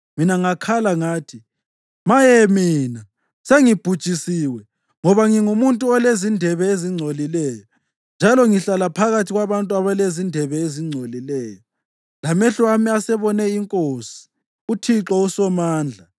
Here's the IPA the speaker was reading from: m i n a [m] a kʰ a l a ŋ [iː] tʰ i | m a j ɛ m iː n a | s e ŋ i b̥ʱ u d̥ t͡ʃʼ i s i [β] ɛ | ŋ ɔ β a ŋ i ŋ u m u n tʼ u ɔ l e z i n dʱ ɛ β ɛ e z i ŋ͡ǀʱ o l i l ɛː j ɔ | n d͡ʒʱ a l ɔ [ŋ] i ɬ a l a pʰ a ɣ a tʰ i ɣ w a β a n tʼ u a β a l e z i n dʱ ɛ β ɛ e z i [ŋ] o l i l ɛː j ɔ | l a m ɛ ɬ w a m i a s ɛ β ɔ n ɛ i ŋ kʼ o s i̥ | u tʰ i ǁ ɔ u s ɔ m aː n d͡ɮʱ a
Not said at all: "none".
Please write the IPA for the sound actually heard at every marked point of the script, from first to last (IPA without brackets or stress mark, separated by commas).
ŋ, aː, w, ŋ, ŋ͡ǀʱ